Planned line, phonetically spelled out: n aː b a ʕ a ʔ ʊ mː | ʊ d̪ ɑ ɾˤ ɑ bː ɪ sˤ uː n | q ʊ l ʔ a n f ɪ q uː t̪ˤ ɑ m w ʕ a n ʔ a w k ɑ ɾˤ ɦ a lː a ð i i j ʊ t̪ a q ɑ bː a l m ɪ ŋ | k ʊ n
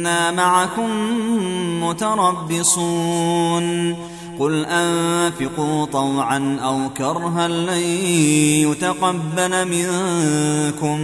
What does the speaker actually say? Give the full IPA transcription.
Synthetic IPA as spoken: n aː m a ʕ a k ʊ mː | ʊ t̪ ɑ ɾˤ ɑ bː ɪ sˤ uː n | q ʊ l ʔ a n f ɪ q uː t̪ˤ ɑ w ʕ a n ʔ a w k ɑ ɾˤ ɦ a lː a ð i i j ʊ t̪ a q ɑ bː a l m ɪ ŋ | k ʊ m